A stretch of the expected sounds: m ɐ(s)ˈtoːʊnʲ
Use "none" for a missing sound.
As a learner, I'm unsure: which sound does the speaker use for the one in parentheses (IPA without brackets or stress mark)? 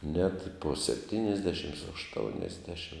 ʃ